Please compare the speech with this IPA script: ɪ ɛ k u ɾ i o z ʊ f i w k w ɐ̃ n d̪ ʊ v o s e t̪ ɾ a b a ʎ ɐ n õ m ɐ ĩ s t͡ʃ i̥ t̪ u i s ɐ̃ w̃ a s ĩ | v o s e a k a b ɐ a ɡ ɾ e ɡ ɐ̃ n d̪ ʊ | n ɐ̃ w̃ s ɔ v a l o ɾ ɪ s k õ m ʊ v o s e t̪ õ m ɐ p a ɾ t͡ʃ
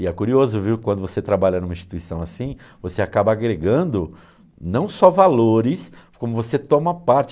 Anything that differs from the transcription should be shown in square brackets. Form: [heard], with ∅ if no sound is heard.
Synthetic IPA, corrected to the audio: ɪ ɛ k u ɾ i o z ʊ [v] i w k w ɐ̃ n d̪ ʊ v o s e t̪ ɾ a b a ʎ ɐ n [ũ] m ɐ ĩ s t͡ʃ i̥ t̪ u i s ɐ̃ w̃ a s ĩ | v o s e a k a b ɐ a ɡ ɾ e ɡ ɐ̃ n d̪ ʊ | n ɐ̃ w̃ s ɔ v a l o ɾ ɪ s k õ m ʊ v o s e t̪ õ m ɐ p a ɾ t͡ʃ